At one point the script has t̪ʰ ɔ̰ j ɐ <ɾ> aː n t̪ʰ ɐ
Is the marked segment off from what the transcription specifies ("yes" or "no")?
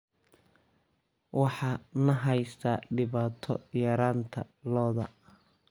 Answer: no